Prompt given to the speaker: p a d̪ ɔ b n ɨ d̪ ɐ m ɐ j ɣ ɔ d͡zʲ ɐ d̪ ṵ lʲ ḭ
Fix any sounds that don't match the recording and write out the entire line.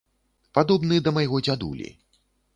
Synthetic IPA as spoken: p a d̪ ɔ b n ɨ d̪ ɐ m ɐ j ɣ ɔ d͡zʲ a d̪ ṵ lʲ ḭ